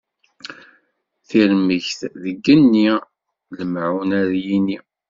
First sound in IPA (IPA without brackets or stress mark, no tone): θ